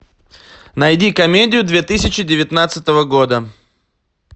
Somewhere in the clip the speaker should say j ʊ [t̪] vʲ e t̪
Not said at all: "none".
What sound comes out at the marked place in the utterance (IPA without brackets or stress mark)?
d̪